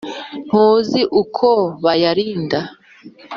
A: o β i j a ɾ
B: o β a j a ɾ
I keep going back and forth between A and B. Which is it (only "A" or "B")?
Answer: B